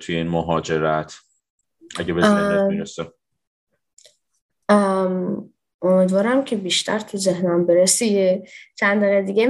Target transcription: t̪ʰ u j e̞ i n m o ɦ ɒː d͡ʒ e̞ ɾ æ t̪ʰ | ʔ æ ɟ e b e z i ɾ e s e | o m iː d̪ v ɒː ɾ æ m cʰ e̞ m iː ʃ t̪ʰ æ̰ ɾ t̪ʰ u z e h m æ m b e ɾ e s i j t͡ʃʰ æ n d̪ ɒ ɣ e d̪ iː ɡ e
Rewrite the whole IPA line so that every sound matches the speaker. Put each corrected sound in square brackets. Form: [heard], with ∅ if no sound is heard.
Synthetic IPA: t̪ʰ u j e̞ i n m o ɦ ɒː d͡ʒ e̞ ɾ æ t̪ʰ | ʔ æ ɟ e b e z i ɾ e s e | o m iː d̪ v ɒː ɾ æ m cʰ e̞ [b] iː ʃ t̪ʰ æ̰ ɾ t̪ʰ u z e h [n] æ m b e ɾ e s i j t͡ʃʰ æ n d̪ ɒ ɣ e d̪ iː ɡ e